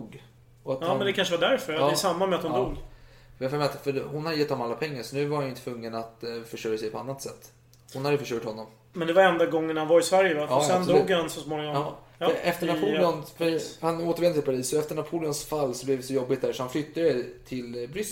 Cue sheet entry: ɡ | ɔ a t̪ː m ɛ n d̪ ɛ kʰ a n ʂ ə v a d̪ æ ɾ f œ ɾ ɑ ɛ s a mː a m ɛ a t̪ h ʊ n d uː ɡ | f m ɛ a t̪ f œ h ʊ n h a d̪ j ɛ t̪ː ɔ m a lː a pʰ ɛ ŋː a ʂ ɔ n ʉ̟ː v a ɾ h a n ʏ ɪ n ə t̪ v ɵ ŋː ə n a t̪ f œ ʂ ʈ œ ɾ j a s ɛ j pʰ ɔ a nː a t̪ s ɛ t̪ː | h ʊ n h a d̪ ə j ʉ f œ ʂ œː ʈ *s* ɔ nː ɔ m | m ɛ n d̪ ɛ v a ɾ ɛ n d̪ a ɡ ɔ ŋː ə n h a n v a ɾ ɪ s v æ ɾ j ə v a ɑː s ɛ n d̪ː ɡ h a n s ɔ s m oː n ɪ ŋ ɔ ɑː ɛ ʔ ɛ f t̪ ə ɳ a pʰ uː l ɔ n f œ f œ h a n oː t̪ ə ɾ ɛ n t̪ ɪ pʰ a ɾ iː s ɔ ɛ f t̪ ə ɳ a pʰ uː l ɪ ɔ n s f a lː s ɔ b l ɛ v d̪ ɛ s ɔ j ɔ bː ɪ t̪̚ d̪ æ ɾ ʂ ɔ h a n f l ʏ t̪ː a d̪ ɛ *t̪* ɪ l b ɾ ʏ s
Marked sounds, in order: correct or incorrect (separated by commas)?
incorrect, incorrect